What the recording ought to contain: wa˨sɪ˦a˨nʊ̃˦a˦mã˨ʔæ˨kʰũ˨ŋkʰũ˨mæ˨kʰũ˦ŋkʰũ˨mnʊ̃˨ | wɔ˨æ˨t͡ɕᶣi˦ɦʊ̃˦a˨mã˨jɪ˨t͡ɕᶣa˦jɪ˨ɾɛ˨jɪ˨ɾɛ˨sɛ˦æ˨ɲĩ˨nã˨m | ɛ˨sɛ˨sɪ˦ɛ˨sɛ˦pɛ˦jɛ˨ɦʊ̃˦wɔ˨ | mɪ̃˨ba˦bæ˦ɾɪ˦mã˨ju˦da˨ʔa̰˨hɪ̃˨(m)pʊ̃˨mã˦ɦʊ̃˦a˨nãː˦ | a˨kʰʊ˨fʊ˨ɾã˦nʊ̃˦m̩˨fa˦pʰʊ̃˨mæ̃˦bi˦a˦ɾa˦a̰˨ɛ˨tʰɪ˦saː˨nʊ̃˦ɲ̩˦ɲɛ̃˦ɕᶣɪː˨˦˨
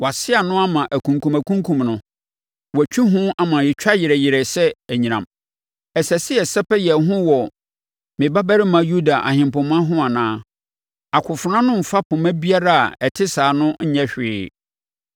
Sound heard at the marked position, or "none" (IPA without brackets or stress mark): m